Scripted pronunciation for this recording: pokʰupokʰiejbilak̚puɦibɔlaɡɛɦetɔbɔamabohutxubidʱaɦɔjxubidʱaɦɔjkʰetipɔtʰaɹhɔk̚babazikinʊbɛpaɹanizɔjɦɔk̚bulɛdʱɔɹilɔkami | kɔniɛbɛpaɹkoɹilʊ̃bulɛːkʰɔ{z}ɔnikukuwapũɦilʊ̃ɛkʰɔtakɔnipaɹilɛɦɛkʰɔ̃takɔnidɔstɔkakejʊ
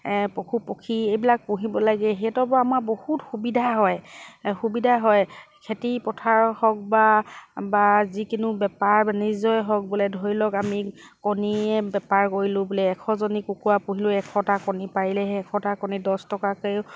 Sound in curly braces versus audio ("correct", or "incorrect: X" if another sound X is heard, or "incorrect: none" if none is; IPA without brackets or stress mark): correct